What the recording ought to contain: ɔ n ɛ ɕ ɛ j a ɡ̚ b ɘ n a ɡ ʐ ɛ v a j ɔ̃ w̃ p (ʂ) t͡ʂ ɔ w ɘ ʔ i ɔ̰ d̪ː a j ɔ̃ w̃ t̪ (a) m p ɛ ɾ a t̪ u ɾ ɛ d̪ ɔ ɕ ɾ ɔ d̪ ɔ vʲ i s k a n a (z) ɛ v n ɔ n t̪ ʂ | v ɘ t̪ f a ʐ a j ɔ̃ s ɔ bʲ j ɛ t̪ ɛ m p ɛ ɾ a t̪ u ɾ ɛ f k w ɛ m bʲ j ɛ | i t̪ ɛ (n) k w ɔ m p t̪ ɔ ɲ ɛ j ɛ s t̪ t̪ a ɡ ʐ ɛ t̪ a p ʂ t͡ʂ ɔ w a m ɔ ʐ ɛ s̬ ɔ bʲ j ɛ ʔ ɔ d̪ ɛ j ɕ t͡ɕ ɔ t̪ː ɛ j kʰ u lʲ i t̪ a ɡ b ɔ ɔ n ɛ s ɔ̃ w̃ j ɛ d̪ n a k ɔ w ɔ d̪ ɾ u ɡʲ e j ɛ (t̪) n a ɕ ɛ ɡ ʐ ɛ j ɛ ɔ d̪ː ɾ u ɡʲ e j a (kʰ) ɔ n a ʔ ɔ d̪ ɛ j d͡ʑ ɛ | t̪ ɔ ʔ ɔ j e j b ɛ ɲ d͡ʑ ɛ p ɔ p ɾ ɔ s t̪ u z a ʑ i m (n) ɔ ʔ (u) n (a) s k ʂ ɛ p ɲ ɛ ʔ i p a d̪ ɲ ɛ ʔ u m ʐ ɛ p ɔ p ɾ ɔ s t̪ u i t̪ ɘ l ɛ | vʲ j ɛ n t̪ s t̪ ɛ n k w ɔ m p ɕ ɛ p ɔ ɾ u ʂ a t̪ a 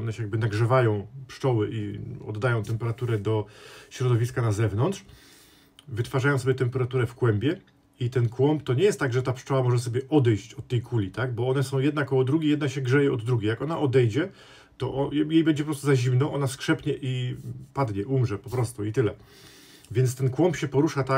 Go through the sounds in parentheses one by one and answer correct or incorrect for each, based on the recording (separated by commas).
correct, incorrect, correct, correct, incorrect, incorrect, correct, incorrect, correct